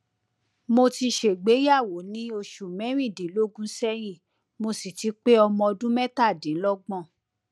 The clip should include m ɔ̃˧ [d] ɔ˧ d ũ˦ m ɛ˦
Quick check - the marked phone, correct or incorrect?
incorrect